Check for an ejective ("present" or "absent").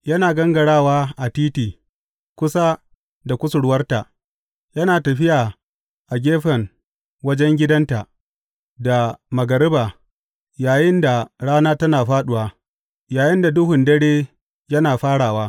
absent